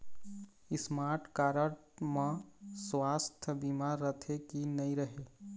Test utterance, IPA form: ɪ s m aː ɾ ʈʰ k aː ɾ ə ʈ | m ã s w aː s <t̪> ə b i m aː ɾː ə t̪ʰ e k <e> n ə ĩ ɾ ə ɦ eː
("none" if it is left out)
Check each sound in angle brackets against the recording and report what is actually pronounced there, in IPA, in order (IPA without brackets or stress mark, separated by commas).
t̪ʰ, i